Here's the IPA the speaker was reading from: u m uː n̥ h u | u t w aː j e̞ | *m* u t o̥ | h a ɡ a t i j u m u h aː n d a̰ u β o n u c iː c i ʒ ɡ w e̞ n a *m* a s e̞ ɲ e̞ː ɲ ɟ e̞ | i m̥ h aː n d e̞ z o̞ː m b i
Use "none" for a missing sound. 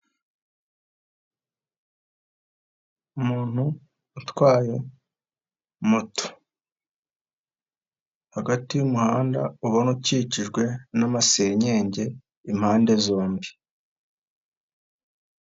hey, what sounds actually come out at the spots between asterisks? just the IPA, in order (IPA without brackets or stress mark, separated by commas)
m, m